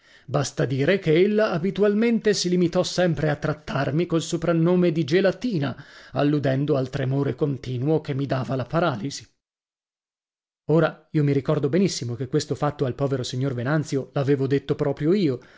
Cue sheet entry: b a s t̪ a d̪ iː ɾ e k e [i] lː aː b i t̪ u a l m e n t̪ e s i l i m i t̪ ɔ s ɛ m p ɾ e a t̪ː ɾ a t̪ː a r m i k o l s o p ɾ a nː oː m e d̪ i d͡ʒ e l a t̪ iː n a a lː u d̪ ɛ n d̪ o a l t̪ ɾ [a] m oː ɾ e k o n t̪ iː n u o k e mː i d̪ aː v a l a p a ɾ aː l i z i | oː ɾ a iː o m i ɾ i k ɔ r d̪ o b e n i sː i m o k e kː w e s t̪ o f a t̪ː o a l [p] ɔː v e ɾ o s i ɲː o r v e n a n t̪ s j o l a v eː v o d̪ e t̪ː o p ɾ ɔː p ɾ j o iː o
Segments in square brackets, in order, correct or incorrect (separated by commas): incorrect, incorrect, correct